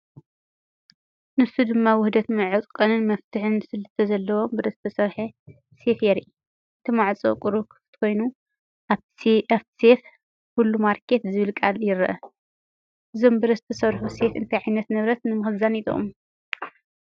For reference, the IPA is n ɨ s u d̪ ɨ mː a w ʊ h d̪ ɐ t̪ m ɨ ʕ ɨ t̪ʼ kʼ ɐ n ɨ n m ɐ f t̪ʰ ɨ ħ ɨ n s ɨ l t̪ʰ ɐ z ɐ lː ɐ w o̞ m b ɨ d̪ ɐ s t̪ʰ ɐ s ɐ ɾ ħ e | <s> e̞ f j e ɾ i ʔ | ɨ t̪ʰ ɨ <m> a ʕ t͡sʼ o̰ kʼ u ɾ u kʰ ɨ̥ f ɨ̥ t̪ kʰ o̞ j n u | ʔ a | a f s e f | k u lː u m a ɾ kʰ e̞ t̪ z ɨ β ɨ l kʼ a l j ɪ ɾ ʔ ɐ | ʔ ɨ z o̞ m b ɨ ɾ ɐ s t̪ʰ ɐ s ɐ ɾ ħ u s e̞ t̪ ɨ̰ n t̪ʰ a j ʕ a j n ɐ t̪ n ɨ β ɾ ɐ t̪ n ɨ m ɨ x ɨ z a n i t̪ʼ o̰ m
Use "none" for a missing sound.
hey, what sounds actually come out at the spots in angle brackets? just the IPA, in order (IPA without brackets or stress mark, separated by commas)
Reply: s, m